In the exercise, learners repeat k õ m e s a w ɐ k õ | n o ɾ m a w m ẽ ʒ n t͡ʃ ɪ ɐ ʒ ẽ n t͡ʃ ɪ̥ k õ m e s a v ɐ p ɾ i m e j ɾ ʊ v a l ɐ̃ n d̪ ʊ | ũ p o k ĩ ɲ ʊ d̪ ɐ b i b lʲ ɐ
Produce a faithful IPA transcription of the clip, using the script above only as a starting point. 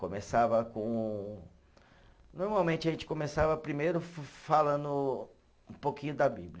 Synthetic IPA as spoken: k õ m e s a v ɐ k õ | n o ɾ m a w m ẽ n t͡ʃ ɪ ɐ ʒ ẽ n t͡ʃ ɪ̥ k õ m e s a v ɐ p ɾ i m e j ɾ ʊ f a l ɐ̃ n d̪ ʊ | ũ p o k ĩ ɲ ʊ d̪ ɐ b i b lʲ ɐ

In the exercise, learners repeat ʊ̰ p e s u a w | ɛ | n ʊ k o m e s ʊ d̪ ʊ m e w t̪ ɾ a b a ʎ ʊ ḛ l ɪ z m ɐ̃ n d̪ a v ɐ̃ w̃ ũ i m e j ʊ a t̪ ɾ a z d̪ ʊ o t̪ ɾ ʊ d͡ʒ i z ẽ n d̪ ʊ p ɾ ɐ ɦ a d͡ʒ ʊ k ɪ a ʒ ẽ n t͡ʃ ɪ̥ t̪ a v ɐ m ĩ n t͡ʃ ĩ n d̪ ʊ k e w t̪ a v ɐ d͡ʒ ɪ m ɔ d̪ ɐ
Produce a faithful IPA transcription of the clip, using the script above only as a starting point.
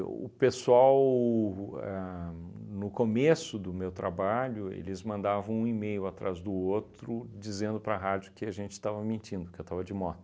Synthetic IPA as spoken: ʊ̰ p e s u a w | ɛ | n ʊ k o m e s ʊ d̪ ʊ m e w t̪ ɾ a b a ʎ ʊ ḛ l ɪ z m ɐ̃ n d̪ a v ɐ̃ w̃ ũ i m e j ʊ a t̪ ɾ a z d̪ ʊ o t̪ ɾ ʊ d͡ʒ i z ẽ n d̪ ʊ p ɾ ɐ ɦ a d͡ʒ ʊ k ɪ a ʒ ẽ n t͡ʃ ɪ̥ t̪ a v ɐ m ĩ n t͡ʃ ĩ n d̪ ʊ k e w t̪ a v ɐ d͡ʒ ɪ m ɔ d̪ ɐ

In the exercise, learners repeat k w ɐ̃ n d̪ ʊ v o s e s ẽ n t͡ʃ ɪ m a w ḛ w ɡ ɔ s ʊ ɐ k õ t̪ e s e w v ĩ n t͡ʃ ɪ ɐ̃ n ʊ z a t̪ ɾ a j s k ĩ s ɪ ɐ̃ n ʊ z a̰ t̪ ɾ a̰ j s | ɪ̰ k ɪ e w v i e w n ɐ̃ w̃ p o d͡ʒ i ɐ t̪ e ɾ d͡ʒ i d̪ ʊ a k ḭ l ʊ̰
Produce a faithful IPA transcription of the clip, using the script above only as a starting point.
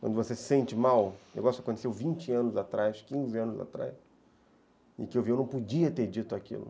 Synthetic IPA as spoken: k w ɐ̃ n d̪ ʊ v o s e s ẽ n t͡ʃ ɪ m a w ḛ w ɡ ɔ s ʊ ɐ k õ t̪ e s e w v ĩ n t͡ʃ ɪ ɐ̃ n ʊ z a t̪ ɾ a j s k ĩ z ɪ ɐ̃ n ʊ z a̰ t̪ ɾ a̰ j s | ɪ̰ k ɪ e w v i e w n ɐ̃ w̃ p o d͡ʒ i ɐ t̪ e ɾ d͡ʒ i t̪ ʊ a k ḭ l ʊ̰

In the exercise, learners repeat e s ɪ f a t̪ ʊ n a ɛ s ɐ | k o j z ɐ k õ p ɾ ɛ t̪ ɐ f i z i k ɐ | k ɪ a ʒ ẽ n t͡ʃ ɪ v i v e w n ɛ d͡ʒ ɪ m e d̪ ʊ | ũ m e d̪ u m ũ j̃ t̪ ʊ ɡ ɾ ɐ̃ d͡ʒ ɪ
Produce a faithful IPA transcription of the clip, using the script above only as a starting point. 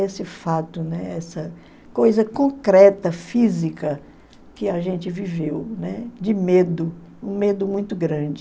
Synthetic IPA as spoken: e s ɪ f a t̪ ʊ n ɛ ɛ s ɐ | k o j z ɐ k õ k ɾ ɛ t̪ ɐ f i z i k ɐ | k ɪ a ʒ ẽ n t͡ʃ ɪ v i v e w n ɛ d͡ʒ ɪ m e d̪ ʊ | ũ m e d̪ ʊ m ũ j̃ t̪ ʊ ɡ ɾ ɐ̃ d͡ʒ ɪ

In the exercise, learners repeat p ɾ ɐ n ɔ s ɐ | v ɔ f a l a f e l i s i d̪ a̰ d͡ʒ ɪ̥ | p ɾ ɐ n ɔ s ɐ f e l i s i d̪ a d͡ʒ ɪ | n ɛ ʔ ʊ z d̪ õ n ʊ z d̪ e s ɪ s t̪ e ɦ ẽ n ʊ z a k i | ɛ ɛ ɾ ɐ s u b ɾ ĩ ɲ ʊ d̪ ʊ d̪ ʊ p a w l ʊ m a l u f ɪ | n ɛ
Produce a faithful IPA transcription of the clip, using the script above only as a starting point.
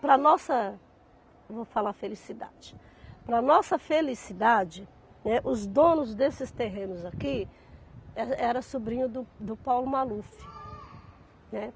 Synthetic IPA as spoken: p ɾ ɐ n ɔ s ɐ | v o f a l a f e l i s i d̪ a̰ d͡ʒ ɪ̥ | p ɾ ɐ n ɔ s ɐ f e l i s i d̪ a d͡ʒ ɪ | n ɛ ʔ ʊ z d̪ õ n ʊ z d̪ e s ɪ s t̪ e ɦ ẽ n ʊ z a k i | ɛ ɛ ɾ ɐ s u b ɾ ĩ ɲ ʊ d̪ ʊ d̪ ʊ p a w l ʊ m a l u f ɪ | n ɛ

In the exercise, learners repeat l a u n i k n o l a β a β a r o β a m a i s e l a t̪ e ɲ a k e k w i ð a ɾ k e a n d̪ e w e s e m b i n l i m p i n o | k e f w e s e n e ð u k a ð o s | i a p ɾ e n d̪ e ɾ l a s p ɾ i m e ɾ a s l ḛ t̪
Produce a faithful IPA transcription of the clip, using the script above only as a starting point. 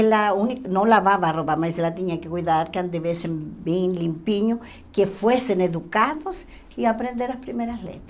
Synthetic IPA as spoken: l a u n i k n o l a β a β a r o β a m a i s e l a t̪ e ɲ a k e k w i ð a ɾ k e a n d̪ e β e s e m b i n l i m p i ɲ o | k e f w e s e n e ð u k a ð o s | i a p ɾ e n d̪ e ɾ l a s p ɾ i m e ɾ a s l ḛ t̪

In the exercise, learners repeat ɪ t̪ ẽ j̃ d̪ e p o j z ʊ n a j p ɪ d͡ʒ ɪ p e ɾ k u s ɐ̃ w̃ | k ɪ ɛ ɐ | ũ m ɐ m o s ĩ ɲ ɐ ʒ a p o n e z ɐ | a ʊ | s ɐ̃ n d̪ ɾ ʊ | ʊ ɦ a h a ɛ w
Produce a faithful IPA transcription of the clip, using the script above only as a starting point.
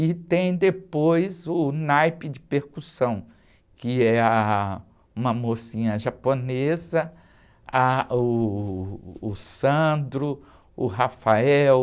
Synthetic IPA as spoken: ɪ t̪ ẽ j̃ d̪ e p o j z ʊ n a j p ɪ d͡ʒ ɪ p e ɾ k u s ɐ̃ w̃ | k ɪ ɛ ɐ | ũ m ɐ m o s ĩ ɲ ɐ ʒ a p o n e z ɐ | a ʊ | s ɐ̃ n d̪ ɾ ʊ | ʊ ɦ a f a ɛ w

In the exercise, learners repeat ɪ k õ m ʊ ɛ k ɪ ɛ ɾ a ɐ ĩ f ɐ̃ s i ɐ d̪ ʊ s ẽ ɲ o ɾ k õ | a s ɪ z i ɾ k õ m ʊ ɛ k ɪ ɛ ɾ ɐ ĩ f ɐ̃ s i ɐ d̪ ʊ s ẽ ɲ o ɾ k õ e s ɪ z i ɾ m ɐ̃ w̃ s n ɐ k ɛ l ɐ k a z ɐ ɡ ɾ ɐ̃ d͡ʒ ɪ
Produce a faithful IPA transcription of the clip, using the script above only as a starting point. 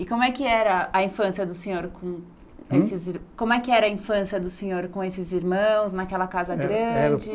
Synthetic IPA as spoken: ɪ k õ m ʊ ɛ k ɪ ɛ ɾ ɐ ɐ ĩ f ɐ̃ s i ɐ d̪ ʊ s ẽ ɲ o ɾ k õ | e s ɪ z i ɾ k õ m ʊ ɛ k ɪ ɛ ɾ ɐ ĩ f ɐ̃ s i ɐ d̪ ʊ s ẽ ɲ o ɾ k õ e s ɪ z i ɾ m ɐ̃ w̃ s n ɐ k ɛ l ɐ k a z ɐ ɡ ɾ ɐ̃ d͡ʒ ɪ

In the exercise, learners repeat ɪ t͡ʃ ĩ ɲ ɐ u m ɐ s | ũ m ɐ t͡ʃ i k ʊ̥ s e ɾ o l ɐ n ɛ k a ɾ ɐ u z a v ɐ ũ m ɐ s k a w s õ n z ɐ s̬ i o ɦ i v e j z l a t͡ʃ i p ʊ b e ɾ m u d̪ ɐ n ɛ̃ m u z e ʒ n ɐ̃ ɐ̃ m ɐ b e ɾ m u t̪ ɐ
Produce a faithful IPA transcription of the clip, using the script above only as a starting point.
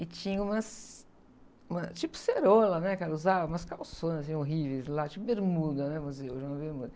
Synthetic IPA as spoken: ɪ t͡ʃ ĩ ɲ ɐ ũ m ɐ s | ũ m ɐ t͡ʃ i p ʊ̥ s e ɾ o l ɐ n ɛ k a ɾ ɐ u z a v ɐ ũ m ɐ s k a w s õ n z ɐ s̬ ĩ o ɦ i v e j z l a t͡ʃ i p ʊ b e ɾ m u d̪ ɐ n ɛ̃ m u z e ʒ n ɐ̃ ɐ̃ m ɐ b e ɾ m u d̪ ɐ

